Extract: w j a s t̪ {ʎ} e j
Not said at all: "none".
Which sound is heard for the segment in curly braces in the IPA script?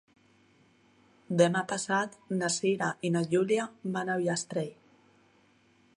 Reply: ɾ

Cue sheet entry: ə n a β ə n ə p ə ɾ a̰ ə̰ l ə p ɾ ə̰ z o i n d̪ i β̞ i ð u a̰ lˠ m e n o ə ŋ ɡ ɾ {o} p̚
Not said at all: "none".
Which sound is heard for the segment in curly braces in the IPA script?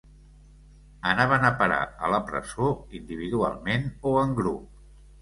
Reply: u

